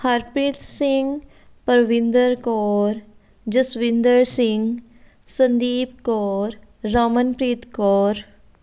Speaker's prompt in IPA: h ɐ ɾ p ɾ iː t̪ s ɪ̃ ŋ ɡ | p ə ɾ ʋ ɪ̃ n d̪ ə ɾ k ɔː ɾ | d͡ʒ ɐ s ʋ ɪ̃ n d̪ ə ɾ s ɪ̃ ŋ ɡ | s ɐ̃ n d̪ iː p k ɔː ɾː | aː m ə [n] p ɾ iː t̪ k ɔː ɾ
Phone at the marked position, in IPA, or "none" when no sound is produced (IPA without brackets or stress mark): n